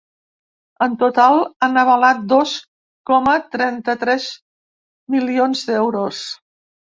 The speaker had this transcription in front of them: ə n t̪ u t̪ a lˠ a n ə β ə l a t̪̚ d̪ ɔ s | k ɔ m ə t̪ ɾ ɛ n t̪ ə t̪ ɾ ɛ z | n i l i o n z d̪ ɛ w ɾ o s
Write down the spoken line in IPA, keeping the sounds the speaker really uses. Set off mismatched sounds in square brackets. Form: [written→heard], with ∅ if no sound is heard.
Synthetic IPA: ə n t̪ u t̪ a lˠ a n ə β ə l a t̪̚ d̪ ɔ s | k ɔ m ə t̪ ɾ ɛ n t̪ ə t̪ ɾ ɛ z | [n→m] i l i o n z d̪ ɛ w ɾ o s